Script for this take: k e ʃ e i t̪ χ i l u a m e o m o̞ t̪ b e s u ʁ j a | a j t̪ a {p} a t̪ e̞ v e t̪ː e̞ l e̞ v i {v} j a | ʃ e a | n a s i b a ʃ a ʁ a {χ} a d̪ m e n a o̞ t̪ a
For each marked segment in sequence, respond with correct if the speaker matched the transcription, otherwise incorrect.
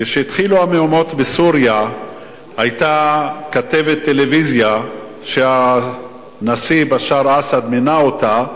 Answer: incorrect: k, incorrect: z, incorrect: s

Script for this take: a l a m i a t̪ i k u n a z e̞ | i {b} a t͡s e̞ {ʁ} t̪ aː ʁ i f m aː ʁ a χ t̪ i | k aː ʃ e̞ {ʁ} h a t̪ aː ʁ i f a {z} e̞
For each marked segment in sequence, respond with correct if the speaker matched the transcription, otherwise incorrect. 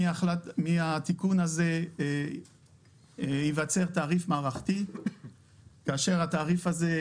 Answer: incorrect: v, correct, correct, correct

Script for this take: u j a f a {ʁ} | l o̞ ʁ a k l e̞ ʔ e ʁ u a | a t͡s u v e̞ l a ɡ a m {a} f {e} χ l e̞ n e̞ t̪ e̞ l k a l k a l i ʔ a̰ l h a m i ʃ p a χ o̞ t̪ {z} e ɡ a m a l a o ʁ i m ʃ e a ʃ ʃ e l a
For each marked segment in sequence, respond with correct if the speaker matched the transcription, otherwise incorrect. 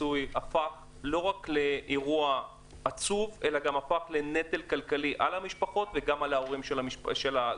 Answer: incorrect: χ, correct, incorrect: a, incorrect: v

